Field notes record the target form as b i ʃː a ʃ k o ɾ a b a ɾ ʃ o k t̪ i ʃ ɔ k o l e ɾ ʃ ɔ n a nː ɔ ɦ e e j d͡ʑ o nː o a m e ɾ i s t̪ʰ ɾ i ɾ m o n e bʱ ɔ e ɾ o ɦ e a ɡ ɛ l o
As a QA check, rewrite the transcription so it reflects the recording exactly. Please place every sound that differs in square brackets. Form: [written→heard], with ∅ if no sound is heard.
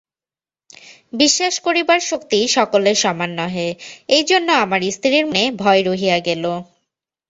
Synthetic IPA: b i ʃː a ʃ k o ɾ [a→i] b a ɾ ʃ o k t̪ i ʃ ɔ k o l e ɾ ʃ ɔ [n→m] a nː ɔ ɦ e e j d͡ʑ o nː o a m [e→a] ɾ i s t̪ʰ ɾ i ɾ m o n e bʱ ɔ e ɾ o ɦ [e→i] a ɡ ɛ l o

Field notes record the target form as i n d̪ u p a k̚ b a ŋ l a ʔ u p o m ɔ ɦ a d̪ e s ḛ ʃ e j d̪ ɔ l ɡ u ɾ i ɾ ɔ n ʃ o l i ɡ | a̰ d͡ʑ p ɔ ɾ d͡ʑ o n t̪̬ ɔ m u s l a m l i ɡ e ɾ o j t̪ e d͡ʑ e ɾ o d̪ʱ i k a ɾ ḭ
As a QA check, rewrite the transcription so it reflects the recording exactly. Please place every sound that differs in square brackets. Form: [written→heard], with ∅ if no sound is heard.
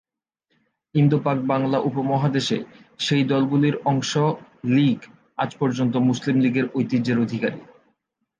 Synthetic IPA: i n d̪ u p a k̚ b a ŋ l a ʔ u p o m ɔ ɦ a d̪ e [s→ʃ] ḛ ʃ e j d̪ ɔ l ɡ u [ɾ→l] i ɾ ɔ [n→ŋ] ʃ o l i ɡ | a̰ d͡ʑ p ɔ ɾ d͡ʑ o n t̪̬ [ɔ→o] m u s l [a→i] m l i ɡ e ɾ o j t̪ [e→i] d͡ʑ e ɾ o d̪ʱ i k a ɾ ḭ

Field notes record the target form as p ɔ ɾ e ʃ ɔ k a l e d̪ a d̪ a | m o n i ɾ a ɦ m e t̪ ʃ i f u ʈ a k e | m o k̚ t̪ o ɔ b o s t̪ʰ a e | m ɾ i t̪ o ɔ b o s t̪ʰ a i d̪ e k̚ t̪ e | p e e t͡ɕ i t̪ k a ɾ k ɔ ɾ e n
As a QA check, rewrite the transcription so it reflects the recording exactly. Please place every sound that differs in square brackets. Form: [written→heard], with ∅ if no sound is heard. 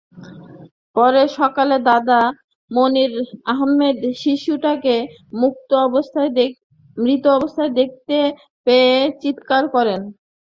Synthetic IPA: p ɔ ɾ e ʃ ɔ k a l e d̪ a d̪ a | m o n i ɾ a ɦ m e [t̪→d̪] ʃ i [f→ʃ] u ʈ a k e | m [o→u] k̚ t̪ o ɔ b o s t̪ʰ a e | m ɾ i t̪ o ɔ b o s t̪ʰ a [i→e] d̪ e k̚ t̪ e | p e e t͡ɕ i t̪ k a ɾ k ɔ ɾ e n

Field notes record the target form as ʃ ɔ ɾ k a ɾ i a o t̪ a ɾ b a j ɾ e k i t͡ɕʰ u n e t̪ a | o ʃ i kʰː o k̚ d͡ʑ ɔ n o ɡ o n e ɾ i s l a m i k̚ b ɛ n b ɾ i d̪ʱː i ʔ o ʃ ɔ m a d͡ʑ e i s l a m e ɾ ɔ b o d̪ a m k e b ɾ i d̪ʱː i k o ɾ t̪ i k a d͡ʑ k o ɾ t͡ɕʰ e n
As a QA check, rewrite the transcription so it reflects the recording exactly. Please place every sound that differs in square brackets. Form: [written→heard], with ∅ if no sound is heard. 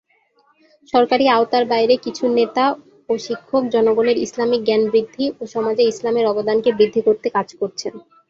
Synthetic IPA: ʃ ɔ ɾ k a ɾ i a o t̪ a ɾ b a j ɾ e k i t͡ɕʰ u n e t̪ a | o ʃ i kʰː o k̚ d͡ʑ ɔ n o ɡ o n e ɾ i s l a m i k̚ [b→ɡ] ɛ n b ɾ i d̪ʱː i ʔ o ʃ ɔ m a d͡ʑ e i s l a m e ɾ ɔ b o d̪ a [m→n] k e b ɾ i d̪ʱː i k o ɾ t̪ [i→e] k a d͡ʑ k o ɾ t͡ɕʰ e n

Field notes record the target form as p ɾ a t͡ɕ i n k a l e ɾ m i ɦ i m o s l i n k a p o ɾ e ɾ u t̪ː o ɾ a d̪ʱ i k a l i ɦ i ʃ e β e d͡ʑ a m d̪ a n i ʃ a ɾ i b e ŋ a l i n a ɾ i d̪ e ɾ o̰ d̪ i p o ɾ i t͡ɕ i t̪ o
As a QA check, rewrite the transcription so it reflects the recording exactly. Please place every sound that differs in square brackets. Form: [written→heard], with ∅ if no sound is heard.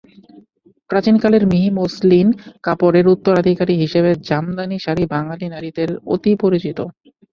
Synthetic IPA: p ɾ a t͡ɕ i n k a l e ɾ m i ɦ i m o s l i n k a p o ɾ e ɾ u t̪ː o ɾ a d̪ʱ i k a [l→ɾ] i ɦ i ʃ e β e d͡ʑ a m d̪ a n i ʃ a ɾ i b [e→a] ŋ a l i n a ɾ i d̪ e ɾ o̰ [d̪→t̪] i p o ɾ i t͡ɕ i t̪ o

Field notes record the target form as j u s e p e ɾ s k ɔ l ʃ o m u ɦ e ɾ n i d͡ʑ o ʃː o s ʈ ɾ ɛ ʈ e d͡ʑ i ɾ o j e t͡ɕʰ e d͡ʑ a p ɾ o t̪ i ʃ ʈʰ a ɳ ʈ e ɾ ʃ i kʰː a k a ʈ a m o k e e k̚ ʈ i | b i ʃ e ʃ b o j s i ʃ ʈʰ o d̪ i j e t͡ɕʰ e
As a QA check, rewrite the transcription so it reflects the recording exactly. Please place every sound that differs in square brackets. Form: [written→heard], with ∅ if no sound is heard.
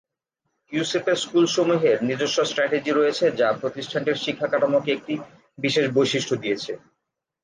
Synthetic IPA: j u s e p e ɾ s k [ɔ→u] l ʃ o m u ɦ e ɾ n i d͡ʑ o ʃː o s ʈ ɾ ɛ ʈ e d͡ʑ i ɾ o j e t͡ɕʰ e d͡ʑ a p ɾ o t̪ i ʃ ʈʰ a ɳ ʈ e ɾ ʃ i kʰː a k a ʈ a m o k e e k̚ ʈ i | b i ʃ e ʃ b o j [s→ʃ] i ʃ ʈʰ o d̪ i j e t͡ɕʰ e

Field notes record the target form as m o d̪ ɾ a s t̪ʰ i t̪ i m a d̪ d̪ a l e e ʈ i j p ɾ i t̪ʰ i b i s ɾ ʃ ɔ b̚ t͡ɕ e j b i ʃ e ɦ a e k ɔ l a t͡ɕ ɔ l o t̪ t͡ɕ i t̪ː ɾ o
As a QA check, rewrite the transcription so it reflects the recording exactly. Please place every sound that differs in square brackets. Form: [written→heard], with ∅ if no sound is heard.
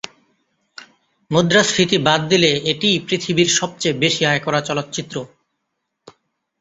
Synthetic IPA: m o d̪ ɾ a s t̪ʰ i t̪ i [m→b] a d̪ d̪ [a→i] l e e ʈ i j p ɾ i t̪ʰ i b i [s→∅] ɾ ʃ ɔ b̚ t͡ɕ e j b [i→e] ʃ [e→i] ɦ a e k ɔ [l→ɾ] a t͡ɕ ɔ l o t̪ t͡ɕ i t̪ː ɾ o

